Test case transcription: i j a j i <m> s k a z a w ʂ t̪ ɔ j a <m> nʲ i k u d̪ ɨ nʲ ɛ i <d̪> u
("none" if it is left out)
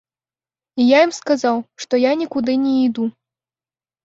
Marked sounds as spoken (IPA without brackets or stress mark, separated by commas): m, none, d̪